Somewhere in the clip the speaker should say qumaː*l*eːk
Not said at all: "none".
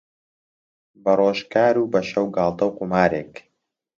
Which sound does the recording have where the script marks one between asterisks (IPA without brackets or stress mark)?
ɾ